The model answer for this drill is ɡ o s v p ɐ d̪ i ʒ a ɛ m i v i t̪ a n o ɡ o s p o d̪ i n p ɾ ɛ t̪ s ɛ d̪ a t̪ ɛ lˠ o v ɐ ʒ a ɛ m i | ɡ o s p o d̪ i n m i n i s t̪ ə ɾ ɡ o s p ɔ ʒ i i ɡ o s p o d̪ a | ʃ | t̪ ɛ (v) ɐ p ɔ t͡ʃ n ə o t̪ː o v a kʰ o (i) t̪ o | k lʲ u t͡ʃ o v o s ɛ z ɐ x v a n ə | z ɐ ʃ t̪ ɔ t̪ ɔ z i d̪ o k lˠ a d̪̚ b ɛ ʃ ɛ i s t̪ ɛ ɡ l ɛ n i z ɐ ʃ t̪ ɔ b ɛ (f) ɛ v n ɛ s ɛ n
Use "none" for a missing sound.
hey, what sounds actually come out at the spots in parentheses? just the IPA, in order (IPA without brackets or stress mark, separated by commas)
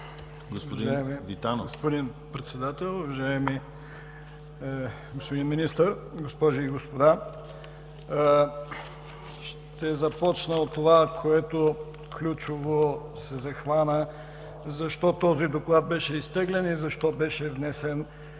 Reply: z, ɛ, ʃ